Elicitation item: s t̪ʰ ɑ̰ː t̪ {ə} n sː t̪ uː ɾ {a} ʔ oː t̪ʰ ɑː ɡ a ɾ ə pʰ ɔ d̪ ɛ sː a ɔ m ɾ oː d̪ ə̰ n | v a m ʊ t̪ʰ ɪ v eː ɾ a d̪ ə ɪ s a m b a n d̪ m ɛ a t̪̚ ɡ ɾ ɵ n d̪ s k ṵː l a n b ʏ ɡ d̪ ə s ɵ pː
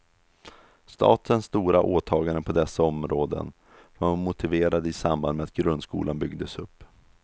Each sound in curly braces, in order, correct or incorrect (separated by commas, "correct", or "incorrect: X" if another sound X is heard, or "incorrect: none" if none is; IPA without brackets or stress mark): correct, correct